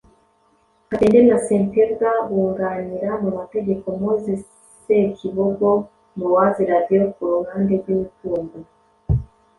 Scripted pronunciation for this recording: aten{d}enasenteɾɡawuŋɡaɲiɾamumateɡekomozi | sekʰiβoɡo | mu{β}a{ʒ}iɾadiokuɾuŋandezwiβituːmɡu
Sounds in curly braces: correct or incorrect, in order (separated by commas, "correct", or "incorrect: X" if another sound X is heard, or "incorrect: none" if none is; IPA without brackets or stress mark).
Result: correct, incorrect: w, incorrect: z